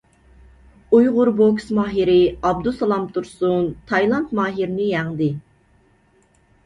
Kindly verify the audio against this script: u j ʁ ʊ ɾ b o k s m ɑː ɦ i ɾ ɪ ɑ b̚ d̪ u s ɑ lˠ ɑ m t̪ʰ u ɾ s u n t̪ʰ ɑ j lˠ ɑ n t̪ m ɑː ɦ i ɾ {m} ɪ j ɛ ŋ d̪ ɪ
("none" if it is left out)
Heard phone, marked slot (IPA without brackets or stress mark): n